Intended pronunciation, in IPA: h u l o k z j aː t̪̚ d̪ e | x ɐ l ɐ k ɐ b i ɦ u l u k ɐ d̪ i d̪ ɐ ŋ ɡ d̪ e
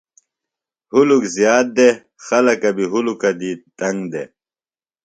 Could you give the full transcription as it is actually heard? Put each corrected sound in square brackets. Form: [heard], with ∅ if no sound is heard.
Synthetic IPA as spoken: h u l [u] k z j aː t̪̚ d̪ e | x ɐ l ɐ k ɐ b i ɦ u l u k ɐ d̪ i [t̪] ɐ ŋ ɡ d̪ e